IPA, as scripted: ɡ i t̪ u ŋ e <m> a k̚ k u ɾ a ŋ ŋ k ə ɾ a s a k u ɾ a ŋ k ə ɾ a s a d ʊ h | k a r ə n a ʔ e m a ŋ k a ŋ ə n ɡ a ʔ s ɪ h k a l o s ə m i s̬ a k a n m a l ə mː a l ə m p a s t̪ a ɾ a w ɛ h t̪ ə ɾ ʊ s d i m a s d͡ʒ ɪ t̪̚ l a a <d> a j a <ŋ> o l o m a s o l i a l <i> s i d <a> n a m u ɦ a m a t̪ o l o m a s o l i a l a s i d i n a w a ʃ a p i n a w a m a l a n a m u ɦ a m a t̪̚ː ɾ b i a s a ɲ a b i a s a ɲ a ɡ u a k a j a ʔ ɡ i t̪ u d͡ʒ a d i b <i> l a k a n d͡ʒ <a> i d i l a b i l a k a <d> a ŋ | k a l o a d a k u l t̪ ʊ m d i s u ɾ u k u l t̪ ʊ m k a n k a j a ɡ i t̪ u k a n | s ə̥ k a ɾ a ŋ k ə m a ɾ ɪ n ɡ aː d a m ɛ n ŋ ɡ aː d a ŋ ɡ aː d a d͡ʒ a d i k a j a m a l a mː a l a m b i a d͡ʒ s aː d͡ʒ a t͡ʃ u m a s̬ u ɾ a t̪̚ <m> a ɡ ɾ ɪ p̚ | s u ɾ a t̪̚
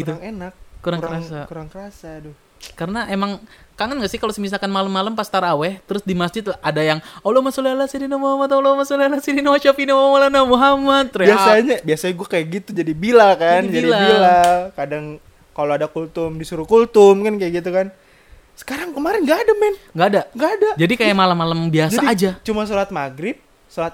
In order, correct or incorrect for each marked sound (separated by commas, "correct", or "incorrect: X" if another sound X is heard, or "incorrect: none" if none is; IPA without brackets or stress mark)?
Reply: incorrect: n, correct, correct, incorrect: a, incorrect: i, correct, correct, correct, correct